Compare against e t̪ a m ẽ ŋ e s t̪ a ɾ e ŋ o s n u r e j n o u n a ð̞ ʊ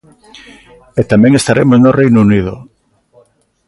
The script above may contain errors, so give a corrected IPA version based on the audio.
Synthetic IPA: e t̪ a m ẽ ŋ e s t̪ a ɾ e m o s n o r e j n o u n i ð̞ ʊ